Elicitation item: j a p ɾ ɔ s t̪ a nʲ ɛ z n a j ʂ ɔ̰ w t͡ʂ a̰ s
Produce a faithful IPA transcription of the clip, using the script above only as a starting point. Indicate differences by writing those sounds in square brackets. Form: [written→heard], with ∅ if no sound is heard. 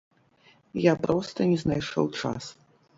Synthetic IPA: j a p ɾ ɔ s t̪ [a→ɐ] nʲ ɛ z n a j ʂ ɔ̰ w t͡ʂ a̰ s